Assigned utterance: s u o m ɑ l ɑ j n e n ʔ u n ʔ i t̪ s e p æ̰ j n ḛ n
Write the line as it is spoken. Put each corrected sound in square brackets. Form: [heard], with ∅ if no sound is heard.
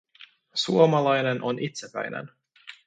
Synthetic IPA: s u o m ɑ l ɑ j n e n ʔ [o] n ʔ i t̪ s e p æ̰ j n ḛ n